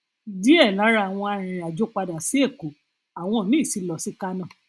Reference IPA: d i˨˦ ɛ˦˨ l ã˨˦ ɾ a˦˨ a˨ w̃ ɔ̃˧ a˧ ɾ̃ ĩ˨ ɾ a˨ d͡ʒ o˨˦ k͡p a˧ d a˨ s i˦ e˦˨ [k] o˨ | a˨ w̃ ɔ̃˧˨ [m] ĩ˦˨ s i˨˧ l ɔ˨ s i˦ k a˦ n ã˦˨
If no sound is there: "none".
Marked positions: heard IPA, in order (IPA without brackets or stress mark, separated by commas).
k, n